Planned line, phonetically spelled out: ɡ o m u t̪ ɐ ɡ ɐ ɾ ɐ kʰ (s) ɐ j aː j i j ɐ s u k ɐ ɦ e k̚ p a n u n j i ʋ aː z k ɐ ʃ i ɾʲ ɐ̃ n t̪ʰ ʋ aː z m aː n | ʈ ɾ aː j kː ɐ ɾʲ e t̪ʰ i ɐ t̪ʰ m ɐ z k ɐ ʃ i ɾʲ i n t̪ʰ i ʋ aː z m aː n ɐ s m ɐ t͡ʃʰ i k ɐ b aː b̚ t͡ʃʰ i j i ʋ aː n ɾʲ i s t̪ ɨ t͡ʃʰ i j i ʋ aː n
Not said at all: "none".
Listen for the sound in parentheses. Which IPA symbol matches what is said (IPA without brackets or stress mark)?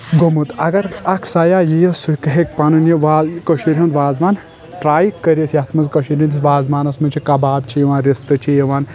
s